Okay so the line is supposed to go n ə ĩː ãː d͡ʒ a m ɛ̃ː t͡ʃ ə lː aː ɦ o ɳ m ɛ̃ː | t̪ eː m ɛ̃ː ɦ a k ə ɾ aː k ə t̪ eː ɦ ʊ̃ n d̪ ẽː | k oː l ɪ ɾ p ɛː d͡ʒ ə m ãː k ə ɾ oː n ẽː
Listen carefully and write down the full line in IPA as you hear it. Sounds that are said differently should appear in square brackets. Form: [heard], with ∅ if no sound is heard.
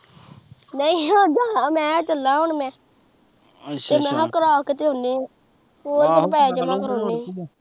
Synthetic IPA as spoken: n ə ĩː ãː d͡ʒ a m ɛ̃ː t͡ʃ ə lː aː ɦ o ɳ m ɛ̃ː | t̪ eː m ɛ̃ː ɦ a k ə ɾ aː k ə t̪ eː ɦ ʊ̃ n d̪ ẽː | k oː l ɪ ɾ p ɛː d͡ʒ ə m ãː k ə ɾ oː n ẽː